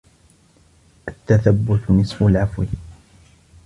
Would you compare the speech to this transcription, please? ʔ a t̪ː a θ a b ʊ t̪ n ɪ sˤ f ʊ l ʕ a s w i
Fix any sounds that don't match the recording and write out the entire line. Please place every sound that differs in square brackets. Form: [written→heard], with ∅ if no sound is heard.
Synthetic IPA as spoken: ʔ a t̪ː a θ a [b→bː] ʊ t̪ n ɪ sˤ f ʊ l ʕ a [s→f] w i